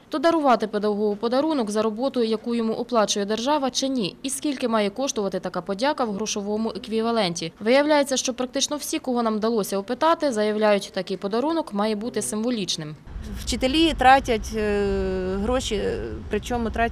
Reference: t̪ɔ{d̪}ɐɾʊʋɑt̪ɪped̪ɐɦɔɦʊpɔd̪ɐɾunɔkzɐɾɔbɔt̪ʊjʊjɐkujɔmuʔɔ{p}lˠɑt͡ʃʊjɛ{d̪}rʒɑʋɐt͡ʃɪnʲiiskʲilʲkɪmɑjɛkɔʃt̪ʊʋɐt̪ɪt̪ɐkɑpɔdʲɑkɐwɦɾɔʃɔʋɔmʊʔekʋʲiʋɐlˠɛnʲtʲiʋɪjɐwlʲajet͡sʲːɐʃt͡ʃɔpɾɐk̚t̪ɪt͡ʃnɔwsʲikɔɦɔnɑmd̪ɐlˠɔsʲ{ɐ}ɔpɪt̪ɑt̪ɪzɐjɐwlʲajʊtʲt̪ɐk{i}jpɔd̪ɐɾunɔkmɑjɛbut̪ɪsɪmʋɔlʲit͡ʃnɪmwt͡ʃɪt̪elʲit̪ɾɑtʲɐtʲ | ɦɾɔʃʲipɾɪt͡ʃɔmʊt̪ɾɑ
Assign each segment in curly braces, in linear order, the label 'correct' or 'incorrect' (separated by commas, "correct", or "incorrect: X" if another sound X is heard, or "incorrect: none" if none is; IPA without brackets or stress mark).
correct, correct, correct, correct, incorrect: ɪ